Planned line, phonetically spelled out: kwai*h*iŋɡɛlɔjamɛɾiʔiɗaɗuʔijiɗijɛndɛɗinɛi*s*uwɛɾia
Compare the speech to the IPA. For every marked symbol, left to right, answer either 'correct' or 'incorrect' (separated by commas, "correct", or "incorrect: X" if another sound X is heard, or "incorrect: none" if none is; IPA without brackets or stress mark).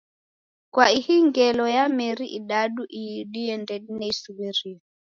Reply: correct, correct